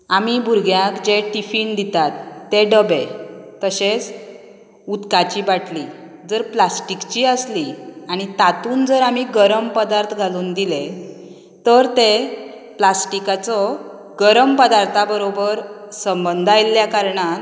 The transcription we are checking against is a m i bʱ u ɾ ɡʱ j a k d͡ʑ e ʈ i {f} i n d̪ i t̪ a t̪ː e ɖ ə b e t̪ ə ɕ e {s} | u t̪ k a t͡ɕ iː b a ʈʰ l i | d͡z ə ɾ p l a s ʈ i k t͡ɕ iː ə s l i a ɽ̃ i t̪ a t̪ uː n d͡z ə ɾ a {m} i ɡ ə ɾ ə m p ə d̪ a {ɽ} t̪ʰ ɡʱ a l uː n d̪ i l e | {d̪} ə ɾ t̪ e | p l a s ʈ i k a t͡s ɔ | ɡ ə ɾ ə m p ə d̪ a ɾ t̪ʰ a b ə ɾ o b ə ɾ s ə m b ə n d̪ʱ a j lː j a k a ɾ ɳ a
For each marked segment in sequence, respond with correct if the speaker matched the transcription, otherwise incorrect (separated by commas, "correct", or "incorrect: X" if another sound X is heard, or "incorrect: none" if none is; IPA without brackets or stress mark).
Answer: correct, incorrect: t͡s, correct, incorrect: ɾ, incorrect: t̪